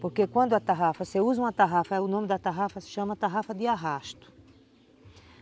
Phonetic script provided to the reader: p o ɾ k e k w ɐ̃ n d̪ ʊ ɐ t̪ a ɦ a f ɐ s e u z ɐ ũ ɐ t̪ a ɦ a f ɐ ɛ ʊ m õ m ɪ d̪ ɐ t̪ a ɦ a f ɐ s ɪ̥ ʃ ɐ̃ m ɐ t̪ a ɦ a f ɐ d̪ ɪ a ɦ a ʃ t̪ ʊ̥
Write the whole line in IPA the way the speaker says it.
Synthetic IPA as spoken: p o ɾ k e k w ɐ̃ n d̪ ʊ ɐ t̪ a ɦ a f ɐ s e u z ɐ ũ ɐ t̪ a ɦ a f ɐ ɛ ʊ n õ m ɪ d̪ ɐ t̪ a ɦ a f ɐ s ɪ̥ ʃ ɐ̃ m ɐ t̪ a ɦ a f ɐ d̪ ɪ a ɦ a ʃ t̪ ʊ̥